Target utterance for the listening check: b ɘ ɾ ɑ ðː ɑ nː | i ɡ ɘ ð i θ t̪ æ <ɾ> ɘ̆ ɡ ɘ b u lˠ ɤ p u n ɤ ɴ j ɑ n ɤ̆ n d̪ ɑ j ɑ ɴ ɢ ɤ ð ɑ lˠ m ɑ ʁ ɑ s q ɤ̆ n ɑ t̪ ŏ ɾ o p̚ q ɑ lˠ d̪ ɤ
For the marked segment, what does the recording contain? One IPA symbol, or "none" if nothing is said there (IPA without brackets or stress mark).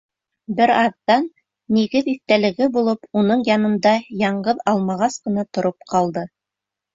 l